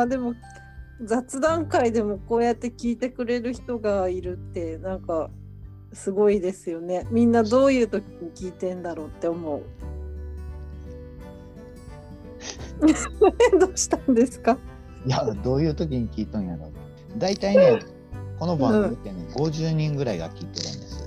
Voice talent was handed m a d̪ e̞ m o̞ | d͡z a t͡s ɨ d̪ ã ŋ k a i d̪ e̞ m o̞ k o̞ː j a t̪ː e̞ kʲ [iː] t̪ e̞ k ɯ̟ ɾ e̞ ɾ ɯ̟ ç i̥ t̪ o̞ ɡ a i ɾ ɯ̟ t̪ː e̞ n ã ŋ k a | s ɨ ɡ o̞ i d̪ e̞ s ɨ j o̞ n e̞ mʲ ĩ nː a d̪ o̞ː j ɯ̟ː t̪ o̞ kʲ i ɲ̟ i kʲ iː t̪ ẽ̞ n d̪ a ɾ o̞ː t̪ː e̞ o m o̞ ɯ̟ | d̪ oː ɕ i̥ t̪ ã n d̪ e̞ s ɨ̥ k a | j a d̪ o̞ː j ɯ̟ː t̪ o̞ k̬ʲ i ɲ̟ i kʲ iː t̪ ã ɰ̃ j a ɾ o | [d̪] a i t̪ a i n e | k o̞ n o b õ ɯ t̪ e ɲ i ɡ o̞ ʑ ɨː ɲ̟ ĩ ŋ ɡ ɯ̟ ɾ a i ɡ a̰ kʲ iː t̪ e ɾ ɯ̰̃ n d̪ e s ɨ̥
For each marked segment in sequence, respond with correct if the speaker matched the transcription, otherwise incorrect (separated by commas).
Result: correct, correct